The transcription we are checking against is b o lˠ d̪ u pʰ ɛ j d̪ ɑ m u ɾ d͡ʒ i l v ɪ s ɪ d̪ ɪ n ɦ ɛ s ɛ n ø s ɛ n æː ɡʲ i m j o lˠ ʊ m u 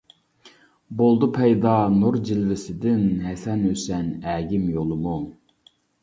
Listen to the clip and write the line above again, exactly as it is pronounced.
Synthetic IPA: b o lˠ d̪ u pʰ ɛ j d̪ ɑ n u ɾ d͡ʒ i l v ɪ s ɪ d̪ ɪ n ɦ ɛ s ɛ n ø s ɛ n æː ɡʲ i m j o lˠ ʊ m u